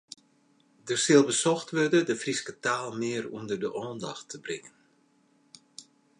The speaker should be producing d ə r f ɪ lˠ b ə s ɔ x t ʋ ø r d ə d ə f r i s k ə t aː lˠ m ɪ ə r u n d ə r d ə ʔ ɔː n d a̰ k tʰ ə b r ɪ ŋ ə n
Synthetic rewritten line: d ə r s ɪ lˠ b ə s ɔ x t ʋ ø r d ə d ə f r i s k ə t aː lˠ m ɪ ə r u n d ə r d ə ʔ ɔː n d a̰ x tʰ ə b r ɪ ŋ ə n